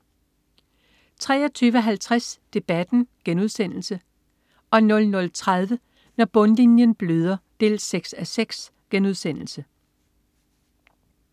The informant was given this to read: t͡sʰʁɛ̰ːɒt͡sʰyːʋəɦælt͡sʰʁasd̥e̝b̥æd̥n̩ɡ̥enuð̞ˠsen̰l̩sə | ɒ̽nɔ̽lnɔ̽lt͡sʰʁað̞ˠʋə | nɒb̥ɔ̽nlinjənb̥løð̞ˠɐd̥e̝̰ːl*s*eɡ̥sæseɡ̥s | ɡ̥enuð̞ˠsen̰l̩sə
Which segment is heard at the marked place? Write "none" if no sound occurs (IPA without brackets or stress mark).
s